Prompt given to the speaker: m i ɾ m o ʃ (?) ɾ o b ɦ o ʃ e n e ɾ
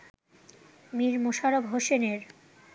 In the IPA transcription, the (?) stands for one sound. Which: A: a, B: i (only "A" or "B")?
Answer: A